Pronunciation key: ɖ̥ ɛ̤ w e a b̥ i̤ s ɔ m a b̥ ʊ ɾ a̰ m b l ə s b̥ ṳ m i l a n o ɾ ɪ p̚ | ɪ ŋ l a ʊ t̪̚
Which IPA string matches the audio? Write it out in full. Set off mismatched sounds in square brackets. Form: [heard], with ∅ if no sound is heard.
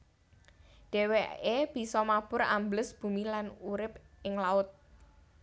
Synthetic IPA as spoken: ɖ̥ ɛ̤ w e [e] b̥ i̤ s ɔ m a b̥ ʊ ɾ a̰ m b l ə s b̥ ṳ m i l a n [u] ɾ ɪ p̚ | ɪ ŋ l a ʊ t̪̚